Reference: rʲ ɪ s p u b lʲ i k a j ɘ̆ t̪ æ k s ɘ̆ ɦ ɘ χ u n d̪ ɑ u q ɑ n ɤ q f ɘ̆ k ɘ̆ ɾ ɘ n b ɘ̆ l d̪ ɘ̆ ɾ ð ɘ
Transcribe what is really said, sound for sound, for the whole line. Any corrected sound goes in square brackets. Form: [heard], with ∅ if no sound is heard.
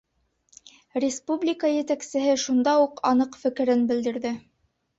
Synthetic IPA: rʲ ɪ s p u b lʲ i k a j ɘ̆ t̪ æ k s ɘ̆ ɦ ɘ [ʃ] u n d̪ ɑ u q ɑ n ɤ q f ɘ̆ k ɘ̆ ɾ ɘ n b ɘ̆ l d̪ ɘ̆ ɾ ð ɘ